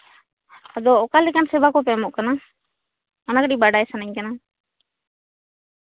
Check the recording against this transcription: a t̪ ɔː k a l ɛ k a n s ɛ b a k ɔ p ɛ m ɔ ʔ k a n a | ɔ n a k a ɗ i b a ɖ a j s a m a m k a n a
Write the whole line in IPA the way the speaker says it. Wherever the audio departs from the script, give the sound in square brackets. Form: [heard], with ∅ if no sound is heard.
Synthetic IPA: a [d̪] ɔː k a l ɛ k a n s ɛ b a k ɔ p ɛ m ɔ ʔ k a n a | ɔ n a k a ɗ i b a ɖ a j s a [n] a [ɲ] k a n a